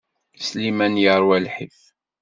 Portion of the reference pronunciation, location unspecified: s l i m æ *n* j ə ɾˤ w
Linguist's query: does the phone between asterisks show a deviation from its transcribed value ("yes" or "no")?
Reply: no